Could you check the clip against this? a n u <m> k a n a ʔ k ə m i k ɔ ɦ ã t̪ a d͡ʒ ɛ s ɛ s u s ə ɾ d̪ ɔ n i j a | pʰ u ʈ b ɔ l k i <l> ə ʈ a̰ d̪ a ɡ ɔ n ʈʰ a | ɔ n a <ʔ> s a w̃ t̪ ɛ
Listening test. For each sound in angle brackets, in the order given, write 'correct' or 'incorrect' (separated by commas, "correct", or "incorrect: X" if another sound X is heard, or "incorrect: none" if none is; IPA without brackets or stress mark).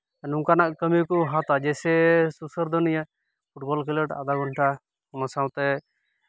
incorrect: ŋ, correct, incorrect: none